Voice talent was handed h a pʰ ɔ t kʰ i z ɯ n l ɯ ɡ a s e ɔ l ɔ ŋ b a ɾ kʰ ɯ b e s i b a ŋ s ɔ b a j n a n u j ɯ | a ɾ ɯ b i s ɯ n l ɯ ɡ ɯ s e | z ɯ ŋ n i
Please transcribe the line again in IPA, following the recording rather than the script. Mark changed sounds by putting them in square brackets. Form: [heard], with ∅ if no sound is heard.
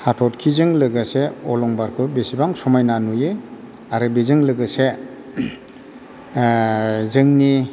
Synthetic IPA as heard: h a [tʰ] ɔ t kʰ i z ɯ [ŋ] l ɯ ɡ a s e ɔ l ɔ ŋ b a ɾ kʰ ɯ b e s i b a ŋ s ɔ [m] a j n a n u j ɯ | a ɾ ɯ b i [z] ɯ [ŋ] l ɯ ɡ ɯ s e | z ɯ ŋ n i